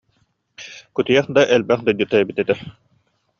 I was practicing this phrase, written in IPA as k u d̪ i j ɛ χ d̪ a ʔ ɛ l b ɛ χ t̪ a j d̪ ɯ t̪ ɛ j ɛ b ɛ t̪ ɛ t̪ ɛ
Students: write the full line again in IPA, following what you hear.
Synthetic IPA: k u t̪ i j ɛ χ d̪ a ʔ ɛ l b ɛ χ d̪ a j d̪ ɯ t̪ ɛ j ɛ b i t̪ ɛ t̪ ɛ

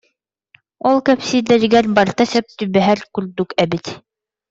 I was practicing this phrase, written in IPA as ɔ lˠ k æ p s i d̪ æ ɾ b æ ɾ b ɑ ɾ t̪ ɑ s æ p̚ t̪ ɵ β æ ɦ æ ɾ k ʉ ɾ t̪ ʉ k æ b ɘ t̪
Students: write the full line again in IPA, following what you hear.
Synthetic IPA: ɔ lˠ k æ p s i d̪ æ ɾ ɡ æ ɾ b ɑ ɾ t̪ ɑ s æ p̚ t̪ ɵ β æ ɦ æ ɾ k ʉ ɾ d̪ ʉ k æ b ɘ t̪

